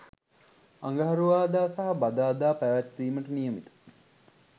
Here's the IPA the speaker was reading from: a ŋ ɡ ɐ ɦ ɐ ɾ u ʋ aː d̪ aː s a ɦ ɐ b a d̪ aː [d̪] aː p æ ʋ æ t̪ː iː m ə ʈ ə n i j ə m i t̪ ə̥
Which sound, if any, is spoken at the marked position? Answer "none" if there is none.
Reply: d̪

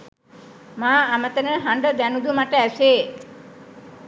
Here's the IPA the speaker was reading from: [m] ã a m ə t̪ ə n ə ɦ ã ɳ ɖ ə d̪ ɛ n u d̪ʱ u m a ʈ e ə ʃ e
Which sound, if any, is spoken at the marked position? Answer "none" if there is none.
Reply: m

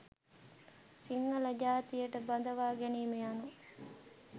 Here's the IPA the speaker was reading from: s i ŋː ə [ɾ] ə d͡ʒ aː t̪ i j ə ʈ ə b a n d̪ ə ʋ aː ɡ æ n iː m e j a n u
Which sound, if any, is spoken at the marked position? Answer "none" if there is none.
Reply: l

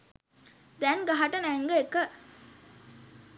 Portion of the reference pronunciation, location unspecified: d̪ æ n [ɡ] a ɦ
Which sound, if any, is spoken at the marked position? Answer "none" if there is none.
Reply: ɡ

